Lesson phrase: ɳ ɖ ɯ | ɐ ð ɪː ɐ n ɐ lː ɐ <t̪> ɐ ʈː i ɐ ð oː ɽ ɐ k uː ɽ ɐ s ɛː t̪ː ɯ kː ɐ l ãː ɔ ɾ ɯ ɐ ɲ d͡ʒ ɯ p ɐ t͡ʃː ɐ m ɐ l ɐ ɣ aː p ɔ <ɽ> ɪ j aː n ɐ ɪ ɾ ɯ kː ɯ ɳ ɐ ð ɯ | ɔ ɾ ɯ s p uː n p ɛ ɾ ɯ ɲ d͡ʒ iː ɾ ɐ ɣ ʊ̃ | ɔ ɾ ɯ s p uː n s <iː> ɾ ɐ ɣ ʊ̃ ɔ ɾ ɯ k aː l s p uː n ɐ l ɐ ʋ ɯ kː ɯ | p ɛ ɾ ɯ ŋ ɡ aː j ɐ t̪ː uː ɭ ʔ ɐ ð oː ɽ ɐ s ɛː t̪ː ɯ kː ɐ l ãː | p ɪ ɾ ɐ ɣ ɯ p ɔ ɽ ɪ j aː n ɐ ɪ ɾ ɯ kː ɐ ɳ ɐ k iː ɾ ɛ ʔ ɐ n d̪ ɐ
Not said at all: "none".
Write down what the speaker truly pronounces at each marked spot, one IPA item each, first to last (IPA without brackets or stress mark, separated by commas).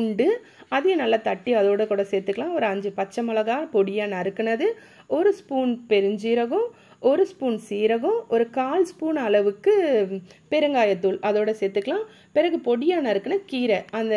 t̪, ɽ, iː